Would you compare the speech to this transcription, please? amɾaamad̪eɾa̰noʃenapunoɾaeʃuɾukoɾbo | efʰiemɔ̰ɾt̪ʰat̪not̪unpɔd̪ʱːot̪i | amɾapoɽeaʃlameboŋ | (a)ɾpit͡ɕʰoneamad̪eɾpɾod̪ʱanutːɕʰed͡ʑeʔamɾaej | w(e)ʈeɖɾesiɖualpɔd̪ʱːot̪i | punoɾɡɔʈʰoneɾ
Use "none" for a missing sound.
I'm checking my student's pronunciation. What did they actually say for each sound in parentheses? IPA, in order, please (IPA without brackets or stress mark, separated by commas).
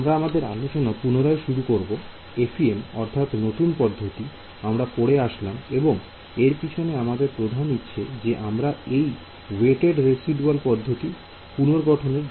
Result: e, e